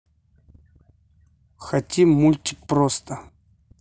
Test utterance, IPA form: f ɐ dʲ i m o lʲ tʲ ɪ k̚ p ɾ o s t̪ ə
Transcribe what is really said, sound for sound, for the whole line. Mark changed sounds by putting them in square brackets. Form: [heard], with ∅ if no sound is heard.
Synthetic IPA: [x] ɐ [tʲ] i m [u] lʲ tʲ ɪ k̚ p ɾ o s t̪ ə